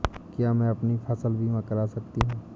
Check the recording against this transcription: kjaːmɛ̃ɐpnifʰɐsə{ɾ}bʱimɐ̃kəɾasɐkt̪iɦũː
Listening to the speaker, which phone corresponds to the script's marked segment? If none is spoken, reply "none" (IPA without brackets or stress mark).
l